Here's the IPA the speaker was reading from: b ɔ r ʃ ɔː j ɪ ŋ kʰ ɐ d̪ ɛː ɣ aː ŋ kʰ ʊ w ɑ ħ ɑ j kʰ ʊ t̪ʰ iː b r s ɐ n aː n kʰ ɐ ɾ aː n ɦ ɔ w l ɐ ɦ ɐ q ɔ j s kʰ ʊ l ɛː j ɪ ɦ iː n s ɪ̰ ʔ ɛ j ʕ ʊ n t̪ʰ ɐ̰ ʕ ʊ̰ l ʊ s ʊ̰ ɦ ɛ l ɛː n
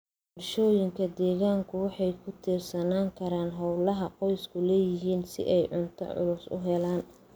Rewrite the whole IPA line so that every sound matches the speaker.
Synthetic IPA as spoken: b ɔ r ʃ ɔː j ɪ ŋ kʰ ɐ d̪ ɛː ɣ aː ŋ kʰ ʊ w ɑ ħ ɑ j kʰ ʊ t̪ʰ iː r s ɐ n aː ŋ kʰ ɐ ɾ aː n ɦ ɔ w l ɐ ɦ ɐ q ɔ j s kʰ ʊ l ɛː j ɪ ɦ iː n s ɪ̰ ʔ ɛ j ʕ ʊ n t̪ʰ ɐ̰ ʕ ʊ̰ l ʊ s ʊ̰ ɦ ɛ l aː n

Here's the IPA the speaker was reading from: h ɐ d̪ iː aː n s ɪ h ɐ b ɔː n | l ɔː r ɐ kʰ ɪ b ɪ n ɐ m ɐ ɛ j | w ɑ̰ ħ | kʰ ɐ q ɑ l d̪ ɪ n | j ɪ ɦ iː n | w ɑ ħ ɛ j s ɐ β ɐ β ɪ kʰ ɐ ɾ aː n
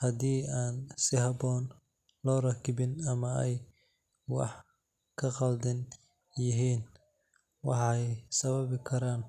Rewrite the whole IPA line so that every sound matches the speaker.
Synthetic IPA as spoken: h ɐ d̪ iː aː n s ɪ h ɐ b ɔː n | l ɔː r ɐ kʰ ɪ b ɪ n ɐ m ɐ ɛ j | w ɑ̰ ħ | kʰ ɐ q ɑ l d̪ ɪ n | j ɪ ɦ iː n | w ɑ ħ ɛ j s ɐ β ɐ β ɪ kʰ ɐ ɾ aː n

